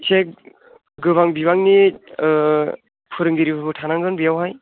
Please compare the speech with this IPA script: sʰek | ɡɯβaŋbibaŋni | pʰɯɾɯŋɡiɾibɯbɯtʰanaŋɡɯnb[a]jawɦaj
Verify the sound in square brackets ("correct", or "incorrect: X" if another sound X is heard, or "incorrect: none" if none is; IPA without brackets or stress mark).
incorrect: i